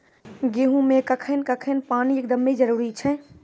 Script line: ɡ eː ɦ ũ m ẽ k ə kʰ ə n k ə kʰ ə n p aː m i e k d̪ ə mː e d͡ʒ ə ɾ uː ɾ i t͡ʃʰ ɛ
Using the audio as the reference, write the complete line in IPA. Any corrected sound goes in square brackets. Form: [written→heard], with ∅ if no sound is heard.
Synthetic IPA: ɡ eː ɦ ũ m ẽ k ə kʰ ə n k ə kʰ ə n p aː [m→n] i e k d̪ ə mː e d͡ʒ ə ɾ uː ɾ i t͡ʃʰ ɛ